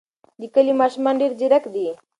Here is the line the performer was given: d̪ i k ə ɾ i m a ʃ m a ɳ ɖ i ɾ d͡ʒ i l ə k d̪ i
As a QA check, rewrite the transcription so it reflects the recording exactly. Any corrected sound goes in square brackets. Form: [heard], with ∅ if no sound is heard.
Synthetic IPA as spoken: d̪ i k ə [l] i m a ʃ m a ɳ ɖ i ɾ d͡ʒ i [ɾ] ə k d̪ i